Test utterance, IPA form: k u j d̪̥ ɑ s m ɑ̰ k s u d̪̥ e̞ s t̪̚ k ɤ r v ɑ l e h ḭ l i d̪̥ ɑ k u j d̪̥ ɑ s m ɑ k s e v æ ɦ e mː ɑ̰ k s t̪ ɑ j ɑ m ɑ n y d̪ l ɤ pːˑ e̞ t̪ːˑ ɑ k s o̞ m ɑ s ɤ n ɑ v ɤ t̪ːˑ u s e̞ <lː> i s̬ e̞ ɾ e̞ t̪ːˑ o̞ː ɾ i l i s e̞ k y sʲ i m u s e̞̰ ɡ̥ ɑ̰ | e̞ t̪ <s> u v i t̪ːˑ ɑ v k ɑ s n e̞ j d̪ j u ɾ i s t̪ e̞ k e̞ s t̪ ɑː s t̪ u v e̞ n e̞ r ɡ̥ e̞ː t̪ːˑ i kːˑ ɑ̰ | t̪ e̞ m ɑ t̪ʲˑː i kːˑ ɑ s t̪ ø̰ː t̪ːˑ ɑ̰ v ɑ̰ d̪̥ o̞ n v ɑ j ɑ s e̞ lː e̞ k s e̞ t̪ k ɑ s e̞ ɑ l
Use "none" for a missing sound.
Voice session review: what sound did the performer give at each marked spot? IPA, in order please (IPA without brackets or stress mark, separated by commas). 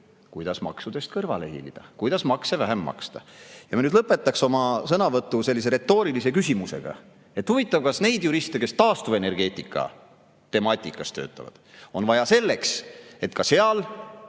lː, h